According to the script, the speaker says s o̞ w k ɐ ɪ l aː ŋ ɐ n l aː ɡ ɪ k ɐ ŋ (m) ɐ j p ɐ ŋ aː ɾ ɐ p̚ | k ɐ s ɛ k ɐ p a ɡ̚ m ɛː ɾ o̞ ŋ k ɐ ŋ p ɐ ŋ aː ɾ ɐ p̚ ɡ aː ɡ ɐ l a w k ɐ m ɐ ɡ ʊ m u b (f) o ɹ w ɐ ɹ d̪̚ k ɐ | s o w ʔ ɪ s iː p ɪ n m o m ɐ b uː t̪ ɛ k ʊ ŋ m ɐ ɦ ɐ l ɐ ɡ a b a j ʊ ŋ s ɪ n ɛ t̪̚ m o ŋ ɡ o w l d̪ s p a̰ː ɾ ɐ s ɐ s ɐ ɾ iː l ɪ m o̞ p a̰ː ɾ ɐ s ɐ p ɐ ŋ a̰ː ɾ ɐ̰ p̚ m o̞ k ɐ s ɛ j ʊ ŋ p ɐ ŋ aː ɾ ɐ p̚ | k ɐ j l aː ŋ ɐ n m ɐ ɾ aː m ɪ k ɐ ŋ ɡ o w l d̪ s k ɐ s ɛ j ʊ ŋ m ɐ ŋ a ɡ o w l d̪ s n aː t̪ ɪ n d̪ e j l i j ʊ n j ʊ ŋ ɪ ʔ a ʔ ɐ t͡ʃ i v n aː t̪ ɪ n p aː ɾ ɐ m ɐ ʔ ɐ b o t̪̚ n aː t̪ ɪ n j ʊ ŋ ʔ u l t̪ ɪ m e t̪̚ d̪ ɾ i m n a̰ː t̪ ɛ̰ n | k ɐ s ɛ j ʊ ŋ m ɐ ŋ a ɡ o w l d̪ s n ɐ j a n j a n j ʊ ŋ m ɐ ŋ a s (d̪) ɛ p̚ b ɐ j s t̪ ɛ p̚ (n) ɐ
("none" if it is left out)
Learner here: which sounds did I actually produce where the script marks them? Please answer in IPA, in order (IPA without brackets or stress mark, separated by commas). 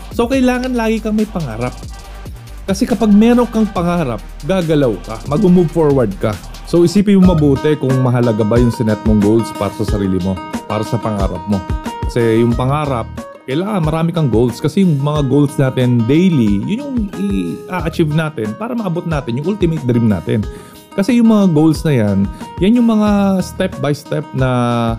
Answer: m, f, t̪, n